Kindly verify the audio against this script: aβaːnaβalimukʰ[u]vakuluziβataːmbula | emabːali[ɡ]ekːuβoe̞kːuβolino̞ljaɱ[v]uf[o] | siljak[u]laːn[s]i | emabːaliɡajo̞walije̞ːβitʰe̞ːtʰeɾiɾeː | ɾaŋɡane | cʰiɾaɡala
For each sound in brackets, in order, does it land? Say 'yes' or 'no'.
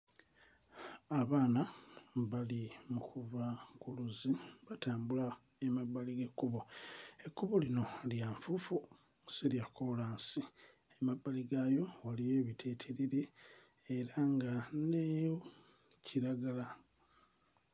yes, yes, no, no, no, yes

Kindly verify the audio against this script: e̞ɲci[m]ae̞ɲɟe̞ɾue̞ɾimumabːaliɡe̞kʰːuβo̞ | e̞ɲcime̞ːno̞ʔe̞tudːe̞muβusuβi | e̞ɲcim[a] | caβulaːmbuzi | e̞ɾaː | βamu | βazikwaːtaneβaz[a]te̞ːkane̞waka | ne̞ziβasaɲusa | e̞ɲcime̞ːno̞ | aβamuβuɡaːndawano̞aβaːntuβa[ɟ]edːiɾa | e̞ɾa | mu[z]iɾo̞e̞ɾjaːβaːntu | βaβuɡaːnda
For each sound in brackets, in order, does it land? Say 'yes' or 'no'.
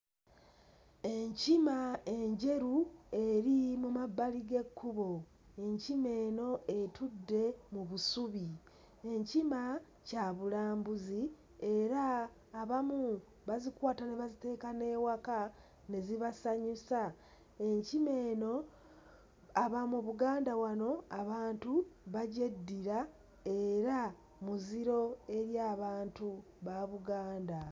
yes, yes, no, yes, yes

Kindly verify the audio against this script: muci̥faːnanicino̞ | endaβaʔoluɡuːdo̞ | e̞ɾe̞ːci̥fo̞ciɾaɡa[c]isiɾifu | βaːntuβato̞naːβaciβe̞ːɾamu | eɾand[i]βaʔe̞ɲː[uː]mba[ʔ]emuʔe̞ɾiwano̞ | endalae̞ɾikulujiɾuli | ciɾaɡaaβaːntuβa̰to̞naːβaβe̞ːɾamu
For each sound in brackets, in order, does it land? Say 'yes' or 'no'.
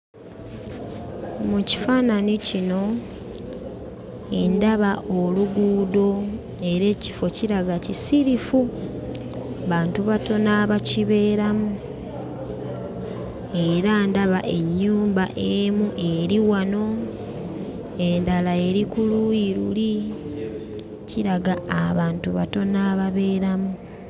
yes, no, yes, yes

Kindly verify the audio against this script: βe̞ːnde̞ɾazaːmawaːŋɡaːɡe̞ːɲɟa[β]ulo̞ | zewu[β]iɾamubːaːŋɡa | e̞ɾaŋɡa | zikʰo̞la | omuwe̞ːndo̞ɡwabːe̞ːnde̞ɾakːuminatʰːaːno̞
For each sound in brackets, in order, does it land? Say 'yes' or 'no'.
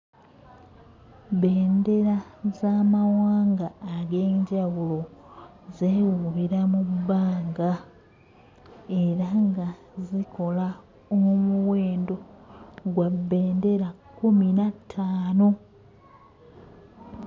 no, yes

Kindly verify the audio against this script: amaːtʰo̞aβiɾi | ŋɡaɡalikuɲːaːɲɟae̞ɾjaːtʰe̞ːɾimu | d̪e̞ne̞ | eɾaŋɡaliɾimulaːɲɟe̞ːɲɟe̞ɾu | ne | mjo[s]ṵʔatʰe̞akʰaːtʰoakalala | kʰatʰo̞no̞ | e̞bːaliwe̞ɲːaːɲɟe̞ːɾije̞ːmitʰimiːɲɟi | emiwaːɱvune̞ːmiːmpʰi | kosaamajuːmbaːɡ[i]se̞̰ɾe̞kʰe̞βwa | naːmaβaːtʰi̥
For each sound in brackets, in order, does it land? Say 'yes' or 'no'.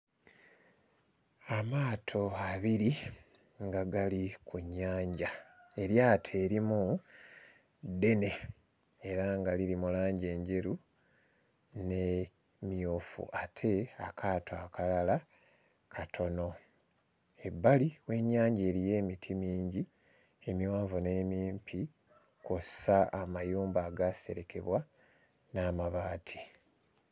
no, no

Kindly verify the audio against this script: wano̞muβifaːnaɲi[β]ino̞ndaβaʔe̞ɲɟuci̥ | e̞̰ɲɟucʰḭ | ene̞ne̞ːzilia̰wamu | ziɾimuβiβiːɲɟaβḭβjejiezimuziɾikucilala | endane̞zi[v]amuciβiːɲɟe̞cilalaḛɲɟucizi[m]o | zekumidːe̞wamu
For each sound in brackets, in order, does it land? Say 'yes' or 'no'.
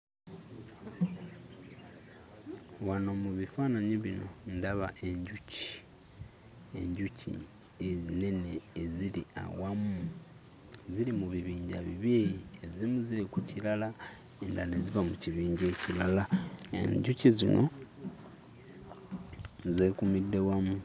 yes, no, no

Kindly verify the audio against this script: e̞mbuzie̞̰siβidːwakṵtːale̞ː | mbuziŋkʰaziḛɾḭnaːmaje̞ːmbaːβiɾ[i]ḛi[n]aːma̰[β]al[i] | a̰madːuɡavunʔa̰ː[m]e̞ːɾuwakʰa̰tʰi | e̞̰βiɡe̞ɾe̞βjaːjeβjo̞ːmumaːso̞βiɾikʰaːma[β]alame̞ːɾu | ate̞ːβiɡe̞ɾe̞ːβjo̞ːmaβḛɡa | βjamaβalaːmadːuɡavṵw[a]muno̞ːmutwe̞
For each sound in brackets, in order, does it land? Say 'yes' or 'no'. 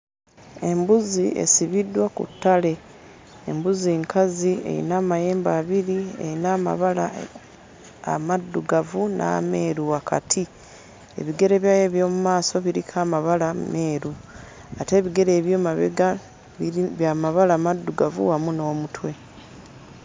yes, yes, yes, no, yes, yes, yes

